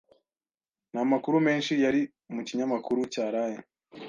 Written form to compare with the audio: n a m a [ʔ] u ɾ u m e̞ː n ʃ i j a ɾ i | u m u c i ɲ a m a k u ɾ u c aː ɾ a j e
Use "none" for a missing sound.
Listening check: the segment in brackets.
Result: k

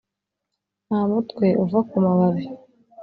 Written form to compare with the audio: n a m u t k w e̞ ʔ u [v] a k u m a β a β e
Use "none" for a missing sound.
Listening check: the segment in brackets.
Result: v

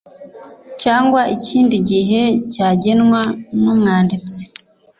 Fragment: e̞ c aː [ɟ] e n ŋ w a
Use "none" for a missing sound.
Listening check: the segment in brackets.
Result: ɟ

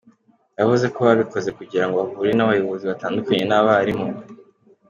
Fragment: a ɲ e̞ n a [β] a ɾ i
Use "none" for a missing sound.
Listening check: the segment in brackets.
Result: β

